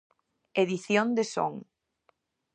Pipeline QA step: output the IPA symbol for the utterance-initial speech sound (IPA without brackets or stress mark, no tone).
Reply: e